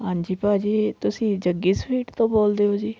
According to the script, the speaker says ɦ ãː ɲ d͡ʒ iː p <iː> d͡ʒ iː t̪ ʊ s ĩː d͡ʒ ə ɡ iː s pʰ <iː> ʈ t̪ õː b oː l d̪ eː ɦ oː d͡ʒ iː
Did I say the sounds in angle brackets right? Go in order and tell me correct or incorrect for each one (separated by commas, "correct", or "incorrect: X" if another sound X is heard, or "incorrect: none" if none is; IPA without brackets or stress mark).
incorrect: aː, correct